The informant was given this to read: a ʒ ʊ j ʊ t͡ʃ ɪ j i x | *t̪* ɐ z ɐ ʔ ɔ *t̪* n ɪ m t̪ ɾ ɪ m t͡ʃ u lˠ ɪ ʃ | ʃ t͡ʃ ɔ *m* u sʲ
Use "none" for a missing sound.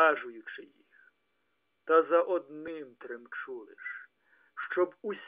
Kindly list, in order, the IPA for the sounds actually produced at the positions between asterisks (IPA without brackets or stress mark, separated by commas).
t̪, d̪, b